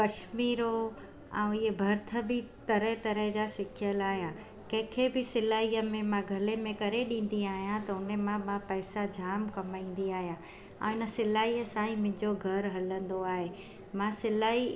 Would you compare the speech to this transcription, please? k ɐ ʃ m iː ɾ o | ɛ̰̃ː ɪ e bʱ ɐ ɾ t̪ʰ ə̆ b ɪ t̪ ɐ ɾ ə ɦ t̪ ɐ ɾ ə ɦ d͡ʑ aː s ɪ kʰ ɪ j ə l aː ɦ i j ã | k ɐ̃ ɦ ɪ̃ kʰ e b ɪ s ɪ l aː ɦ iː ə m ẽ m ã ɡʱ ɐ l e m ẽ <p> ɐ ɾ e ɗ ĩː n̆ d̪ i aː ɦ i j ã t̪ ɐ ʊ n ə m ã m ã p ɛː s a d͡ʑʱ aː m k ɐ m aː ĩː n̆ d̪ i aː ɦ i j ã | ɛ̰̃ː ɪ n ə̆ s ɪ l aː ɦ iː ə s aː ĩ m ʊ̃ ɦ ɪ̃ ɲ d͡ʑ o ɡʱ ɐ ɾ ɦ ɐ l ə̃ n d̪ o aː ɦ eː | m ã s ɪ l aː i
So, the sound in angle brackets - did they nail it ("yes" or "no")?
no